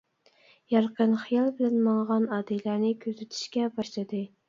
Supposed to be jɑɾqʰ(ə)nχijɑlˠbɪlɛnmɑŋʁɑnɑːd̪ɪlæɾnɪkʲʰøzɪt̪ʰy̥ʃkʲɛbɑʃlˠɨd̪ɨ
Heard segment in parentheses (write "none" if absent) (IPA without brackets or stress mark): ə